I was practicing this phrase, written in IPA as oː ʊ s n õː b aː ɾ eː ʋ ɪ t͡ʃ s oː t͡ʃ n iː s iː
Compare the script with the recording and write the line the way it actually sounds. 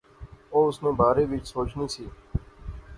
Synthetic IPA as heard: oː ʊ s n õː b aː ɾ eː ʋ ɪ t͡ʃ s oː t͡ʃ n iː s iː